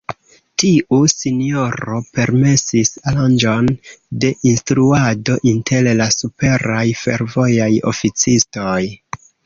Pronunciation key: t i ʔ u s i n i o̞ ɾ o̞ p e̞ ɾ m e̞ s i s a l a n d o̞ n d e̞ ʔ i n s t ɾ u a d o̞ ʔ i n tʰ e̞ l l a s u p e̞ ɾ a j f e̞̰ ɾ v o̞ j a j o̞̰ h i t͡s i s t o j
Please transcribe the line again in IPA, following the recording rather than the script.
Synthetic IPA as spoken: t i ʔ u s i n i o̞ ɾ o̞ p e̞ ɾ m e̞ s i s a l a n d͡ʒ o̞ n d e̞ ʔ i n s t ɾ u a d o̞ ʔ i n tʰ e̞ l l a s u p e̞ ɾ a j f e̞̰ ɾ v o̞ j a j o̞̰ f i t͡s i s t o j